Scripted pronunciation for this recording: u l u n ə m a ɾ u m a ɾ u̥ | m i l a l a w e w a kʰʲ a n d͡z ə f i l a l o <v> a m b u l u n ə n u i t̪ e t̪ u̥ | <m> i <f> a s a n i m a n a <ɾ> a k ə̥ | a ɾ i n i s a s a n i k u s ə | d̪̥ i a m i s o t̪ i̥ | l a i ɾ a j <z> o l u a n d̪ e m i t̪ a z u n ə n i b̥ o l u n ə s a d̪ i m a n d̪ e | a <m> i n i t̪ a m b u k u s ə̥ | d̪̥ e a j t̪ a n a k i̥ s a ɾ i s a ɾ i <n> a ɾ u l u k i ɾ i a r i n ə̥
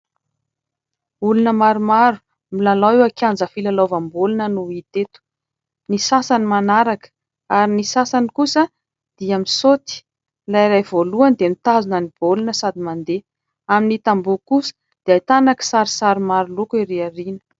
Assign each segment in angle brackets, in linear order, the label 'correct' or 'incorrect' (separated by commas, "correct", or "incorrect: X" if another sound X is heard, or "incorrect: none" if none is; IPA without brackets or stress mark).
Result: correct, incorrect: n, incorrect: s, correct, incorrect: v, correct, incorrect: m